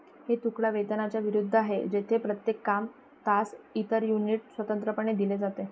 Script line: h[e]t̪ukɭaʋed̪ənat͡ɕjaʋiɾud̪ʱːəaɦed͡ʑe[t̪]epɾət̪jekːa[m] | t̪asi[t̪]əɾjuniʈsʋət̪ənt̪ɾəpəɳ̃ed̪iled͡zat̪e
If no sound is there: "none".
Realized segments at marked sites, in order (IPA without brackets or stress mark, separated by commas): e, t̪ʰ, m, t̪